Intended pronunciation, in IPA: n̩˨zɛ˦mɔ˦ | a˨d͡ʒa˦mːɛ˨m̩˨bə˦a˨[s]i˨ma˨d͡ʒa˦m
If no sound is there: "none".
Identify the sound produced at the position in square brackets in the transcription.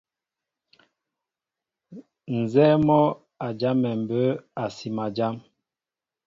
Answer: s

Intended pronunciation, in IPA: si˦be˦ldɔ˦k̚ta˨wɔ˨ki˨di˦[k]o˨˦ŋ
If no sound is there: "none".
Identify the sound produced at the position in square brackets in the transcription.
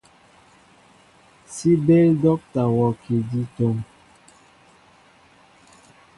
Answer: t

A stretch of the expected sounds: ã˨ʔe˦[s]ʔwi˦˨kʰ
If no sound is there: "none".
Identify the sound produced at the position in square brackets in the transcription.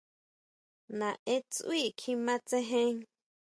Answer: t͡s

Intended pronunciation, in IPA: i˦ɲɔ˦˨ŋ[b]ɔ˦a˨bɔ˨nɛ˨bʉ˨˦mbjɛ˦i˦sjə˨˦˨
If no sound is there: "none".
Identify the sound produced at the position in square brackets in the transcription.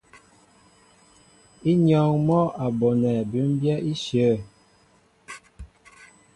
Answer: m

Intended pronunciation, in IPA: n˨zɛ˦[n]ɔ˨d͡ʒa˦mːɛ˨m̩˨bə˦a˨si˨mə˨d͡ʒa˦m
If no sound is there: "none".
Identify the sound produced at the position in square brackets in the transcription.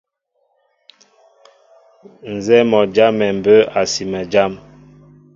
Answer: m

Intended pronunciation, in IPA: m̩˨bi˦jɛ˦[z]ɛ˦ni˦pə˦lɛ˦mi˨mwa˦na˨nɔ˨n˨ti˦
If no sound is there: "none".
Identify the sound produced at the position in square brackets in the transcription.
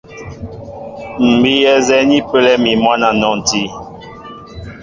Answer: z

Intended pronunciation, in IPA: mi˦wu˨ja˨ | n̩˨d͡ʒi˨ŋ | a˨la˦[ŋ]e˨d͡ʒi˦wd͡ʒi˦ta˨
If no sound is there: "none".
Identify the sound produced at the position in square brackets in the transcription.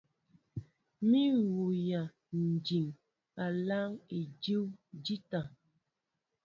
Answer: ŋ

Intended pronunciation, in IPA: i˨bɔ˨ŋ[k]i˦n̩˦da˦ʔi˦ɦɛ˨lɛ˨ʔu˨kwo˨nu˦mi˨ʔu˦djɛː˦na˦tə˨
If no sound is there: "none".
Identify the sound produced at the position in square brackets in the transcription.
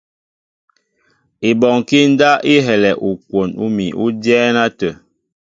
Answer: k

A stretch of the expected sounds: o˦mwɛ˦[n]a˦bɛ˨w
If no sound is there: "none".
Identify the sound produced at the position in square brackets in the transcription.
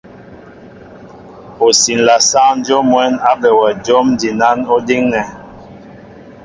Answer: n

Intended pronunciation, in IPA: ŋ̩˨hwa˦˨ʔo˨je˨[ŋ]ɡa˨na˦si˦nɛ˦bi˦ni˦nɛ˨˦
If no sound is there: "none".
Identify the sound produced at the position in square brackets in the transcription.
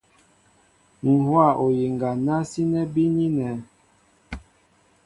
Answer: ŋ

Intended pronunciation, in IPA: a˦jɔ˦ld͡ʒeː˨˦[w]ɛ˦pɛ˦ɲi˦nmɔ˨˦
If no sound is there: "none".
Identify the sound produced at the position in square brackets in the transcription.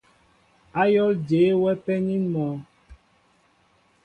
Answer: w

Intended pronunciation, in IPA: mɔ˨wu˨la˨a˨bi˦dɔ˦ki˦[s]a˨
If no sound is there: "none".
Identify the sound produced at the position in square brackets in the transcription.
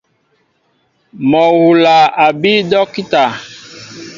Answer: t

